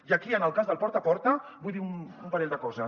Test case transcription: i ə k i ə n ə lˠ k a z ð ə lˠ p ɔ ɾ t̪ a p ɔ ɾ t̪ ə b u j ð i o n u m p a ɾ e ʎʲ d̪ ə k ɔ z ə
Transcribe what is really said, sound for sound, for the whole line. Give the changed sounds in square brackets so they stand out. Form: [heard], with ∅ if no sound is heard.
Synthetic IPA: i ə k i ə n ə lˠ k a z ð ə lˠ p ɔ ɾ t̪ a p ɔ ɾ t̪ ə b u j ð i [u] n u m p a ɾ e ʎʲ d̪ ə k ɔ z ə